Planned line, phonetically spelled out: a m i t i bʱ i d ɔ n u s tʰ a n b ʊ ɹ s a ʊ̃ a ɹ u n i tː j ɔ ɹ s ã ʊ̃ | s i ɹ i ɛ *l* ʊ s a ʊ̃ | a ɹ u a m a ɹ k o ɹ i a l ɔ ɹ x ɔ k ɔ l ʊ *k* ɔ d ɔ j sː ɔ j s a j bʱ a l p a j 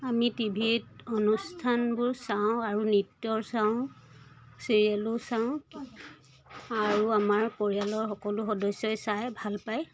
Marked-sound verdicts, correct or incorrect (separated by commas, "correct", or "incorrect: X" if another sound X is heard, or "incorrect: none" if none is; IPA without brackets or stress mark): correct, incorrect: x